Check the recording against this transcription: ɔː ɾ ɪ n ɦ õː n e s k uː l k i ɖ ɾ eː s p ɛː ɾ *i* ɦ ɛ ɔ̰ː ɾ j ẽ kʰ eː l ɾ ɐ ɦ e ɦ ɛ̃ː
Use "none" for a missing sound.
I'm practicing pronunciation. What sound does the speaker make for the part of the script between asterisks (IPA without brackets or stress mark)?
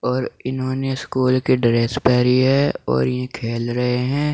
i